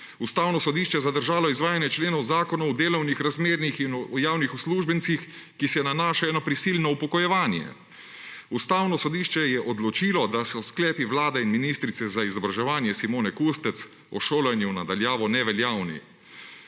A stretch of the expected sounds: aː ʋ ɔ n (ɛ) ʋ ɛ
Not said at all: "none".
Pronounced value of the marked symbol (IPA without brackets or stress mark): ɛ